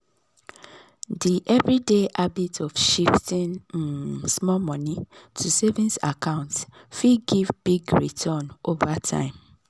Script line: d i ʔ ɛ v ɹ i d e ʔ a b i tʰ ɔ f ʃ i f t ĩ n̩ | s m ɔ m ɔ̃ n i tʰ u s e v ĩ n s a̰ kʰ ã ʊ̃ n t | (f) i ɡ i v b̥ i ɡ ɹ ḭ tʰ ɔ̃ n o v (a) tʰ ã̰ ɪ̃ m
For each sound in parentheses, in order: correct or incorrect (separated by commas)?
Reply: correct, correct